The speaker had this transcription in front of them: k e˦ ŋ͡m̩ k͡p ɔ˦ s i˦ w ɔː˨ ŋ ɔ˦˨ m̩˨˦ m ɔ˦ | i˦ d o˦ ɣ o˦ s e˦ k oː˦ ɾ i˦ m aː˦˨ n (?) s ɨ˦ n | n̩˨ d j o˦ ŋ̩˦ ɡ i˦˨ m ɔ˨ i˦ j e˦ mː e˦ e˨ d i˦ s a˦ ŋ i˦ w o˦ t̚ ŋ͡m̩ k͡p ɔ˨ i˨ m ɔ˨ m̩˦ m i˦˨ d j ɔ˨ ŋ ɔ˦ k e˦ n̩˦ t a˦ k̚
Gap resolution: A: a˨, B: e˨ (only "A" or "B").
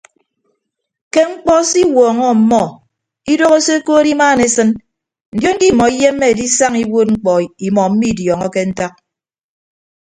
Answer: B